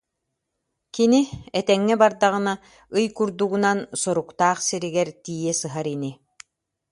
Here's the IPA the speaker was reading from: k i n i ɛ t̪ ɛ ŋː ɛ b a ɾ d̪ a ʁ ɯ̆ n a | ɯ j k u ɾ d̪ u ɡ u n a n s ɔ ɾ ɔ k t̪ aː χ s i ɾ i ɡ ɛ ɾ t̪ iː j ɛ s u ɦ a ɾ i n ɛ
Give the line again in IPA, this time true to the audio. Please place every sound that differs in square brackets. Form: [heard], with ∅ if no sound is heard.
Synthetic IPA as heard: k i n i ɛ t̪ ɛ ŋː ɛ b a ɾ d̪ a ʁ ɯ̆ n a | ɯ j k u ɾ d̪ u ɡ u n a n s ɔ ɾ [u] k t̪ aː χ s i ɾ i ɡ ɛ ɾ t̪ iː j ɛ s [ɯ] ɦ a ɾ i n [i]

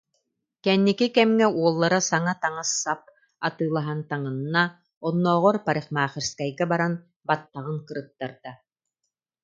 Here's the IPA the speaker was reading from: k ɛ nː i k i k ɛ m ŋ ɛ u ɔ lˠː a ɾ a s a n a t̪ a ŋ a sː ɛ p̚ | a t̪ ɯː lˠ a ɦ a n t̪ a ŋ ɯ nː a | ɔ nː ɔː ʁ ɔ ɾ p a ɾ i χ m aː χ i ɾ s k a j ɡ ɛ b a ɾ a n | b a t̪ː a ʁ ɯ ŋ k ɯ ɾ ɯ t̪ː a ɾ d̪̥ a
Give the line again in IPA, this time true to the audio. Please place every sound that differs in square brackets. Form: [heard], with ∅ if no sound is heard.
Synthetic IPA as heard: k ɛ nː i k i k ɛ m ŋ ɛ u ɔ lˠː a ɾ a s a [ŋ] a t̪ a ŋ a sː [a] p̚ | a t̪ ɯː lˠ a ɦ a n t̪ a ŋ ɯ nː a | ɔ nː ɔː ʁ ɔ ɾ p a ɾ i χ m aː χ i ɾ s k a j ɡ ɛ b a ɾ a n | b a t̪ː a ʁ ɯ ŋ k ɯ ɾ ɯ t̪ː a ɾ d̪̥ a

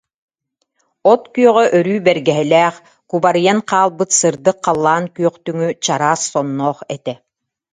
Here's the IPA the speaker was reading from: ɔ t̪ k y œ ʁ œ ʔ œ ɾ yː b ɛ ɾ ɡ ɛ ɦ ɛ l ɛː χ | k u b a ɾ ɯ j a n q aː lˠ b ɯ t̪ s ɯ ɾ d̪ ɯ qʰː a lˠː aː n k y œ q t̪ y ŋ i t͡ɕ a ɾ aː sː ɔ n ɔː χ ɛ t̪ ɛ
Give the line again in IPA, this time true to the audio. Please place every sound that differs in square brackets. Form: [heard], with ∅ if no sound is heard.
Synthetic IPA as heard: ɔ t̪ k y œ ʁ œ ʔ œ ɾ yː b ɛ ɾ ɡ ɛ ɦ ɛ l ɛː χ | k u b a ɾ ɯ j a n q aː lˠ b ɯ t̪ s ɯ ɾ d̪ ɯ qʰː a lˠː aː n k y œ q t̪ y ŋ [y] t͡ɕ a ɾ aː sː ɔ [nː] ɔː χ ɛ t̪ ɛ

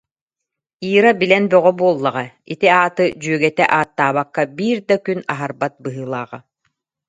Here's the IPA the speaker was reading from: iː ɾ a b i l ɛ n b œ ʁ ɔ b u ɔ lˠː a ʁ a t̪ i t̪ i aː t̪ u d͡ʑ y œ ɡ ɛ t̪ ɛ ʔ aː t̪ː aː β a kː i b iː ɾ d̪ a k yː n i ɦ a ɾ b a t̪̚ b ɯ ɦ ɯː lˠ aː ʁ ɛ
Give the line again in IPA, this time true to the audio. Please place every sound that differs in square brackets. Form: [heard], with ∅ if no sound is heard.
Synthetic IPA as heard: iː ɾ a b i l ɛ n b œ ʁ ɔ b u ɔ lˠː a ʁ a [∅] i t̪ i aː t̪ [ɯ] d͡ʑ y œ ɡ ɛ t̪ ɛ ʔ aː t̪ː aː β a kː [a] b iː ɾ d̪ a k [y] n [a] ɦ a ɾ b a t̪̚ b ɯ ɦ ɯː lˠ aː ʁ [a]

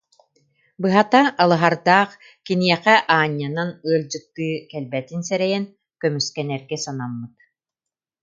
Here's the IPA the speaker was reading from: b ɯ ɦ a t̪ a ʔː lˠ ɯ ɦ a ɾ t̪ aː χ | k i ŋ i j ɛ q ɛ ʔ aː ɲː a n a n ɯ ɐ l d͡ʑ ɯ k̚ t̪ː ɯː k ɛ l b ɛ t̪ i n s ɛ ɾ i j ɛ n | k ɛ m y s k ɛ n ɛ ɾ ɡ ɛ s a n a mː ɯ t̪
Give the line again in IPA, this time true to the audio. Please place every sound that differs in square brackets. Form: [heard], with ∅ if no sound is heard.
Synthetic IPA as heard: b ɯ ɦ a t̪ a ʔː lˠ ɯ ɦ a ɾ [d̪] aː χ | k i [n] i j ɛ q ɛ ʔ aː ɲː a n a n ɯ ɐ l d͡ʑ ɯ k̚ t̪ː ɯː k ɛ l b ɛ t̪ i n s ɛ ɾ [ɛ] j ɛ n | k [œ] m y s k ɛ n ɛ ɾ ɡ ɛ s a n a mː ɯ t̪

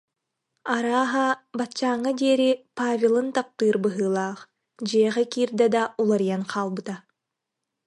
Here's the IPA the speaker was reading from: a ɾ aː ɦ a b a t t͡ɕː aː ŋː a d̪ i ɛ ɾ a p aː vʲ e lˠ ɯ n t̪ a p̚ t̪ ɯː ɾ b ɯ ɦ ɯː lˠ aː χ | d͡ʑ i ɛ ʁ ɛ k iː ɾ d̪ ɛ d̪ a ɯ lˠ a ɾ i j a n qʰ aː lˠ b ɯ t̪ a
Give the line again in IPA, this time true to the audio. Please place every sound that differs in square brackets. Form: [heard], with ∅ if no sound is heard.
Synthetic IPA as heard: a ɾ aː ɦ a b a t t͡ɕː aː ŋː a d̪ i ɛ ɾ [i] p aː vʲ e lˠ ɯ n t̪ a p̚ t̪ ɯː ɾ b ɯ ɦ ɯː lˠ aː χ | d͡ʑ i ɛ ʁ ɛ k iː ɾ d̪ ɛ d̪ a [u] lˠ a ɾ i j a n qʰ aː lˠ b ɯ t̪ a

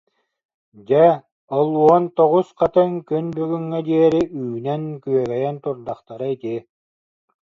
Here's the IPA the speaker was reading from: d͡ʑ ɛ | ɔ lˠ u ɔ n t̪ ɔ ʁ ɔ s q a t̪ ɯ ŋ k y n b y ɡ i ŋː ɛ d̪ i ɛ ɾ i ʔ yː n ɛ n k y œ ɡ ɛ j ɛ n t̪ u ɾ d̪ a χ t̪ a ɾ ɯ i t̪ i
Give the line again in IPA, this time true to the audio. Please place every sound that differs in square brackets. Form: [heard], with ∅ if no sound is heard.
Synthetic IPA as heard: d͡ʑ ɛ | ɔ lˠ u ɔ n t̪ ɔ ʁ [u] s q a t̪ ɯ ŋ k y n b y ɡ [y] ŋː ɛ d̪ i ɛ ɾ i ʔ yː n ɛ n k y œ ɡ ɛ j ɛ n t̪ u ɾ d̪ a χ t̪ a ɾ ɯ i t̪ i

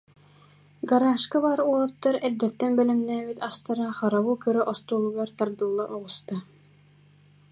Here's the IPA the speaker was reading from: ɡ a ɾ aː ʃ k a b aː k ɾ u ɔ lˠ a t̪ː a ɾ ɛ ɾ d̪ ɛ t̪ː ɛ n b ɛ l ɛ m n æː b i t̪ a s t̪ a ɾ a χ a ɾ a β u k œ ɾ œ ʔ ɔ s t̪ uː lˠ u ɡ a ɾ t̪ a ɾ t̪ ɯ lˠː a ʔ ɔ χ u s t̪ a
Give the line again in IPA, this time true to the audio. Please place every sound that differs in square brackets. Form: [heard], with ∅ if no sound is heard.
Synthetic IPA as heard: ɡ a ɾ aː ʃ k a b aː [∅] ɾ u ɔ lˠ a t̪ː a ɾ ɛ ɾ d̪ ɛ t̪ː ɛ n b ɛ l ɛ m n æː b i t̪ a s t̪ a ɾ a χ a ɾ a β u k œ ɾ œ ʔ ɔ s t̪ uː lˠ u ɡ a ɾ t̪ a ɾ [d̪] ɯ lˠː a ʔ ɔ [ʁ] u s t̪ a

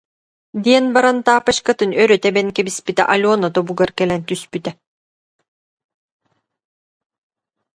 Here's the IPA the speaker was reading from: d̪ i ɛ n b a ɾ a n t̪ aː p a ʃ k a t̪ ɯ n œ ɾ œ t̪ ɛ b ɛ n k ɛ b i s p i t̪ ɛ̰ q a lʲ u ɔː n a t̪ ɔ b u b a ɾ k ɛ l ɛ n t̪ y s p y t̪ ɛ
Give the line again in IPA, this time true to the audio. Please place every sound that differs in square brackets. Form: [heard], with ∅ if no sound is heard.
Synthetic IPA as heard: d̪ i ɛ n b a ɾ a n t̪ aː p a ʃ k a t̪ ɯ n œ ɾ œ t̪ ɛ b ɛ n k ɛ b i s p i t̪ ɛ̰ [ʔ] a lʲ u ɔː n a t̪ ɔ b u [ɡ] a ɾ k ɛ l ɛ n t̪ y s p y t̪ ɛ

